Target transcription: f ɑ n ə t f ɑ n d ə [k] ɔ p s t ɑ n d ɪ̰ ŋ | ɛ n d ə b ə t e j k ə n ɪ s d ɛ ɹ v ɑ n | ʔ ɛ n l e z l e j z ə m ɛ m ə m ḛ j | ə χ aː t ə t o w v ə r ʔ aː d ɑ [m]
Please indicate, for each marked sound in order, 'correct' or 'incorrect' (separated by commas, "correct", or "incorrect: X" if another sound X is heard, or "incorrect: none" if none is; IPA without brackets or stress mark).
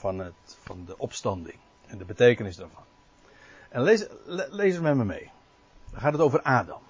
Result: incorrect: ʔ, correct